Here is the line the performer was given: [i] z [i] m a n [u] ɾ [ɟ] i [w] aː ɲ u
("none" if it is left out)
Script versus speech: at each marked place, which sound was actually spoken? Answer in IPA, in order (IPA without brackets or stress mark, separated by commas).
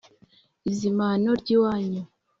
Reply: i, i, o, ɟ, w